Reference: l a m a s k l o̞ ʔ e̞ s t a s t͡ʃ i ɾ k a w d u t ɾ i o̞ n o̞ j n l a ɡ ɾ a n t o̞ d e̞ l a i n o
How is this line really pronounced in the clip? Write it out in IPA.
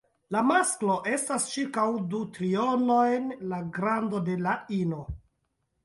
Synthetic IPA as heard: l a m a s k l o̞ ʔ e̞ s t a s t͡ʃ i ɾ k a w d u t ɾ i o̞ n o̞ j n l a ɡ ɾ a n d o̞ d e̞ l a i n o